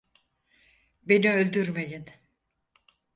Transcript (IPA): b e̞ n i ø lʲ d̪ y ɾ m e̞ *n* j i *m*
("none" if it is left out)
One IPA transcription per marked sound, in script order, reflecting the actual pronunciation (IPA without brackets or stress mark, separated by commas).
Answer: none, n